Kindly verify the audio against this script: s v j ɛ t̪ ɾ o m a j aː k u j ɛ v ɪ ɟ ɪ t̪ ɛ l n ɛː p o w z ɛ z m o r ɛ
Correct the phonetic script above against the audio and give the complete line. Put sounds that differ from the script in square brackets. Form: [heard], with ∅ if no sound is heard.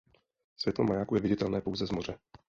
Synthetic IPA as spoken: s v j ɛ t̪ [l] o m a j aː k u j ɛ v ɪ ɟ ɪ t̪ ɛ l n ɛː p o w z ɛ z m o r ɛ